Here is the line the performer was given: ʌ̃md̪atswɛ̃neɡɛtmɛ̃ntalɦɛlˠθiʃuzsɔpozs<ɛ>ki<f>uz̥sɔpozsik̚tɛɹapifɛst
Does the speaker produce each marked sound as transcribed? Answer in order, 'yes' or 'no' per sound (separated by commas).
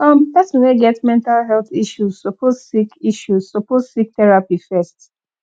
no, no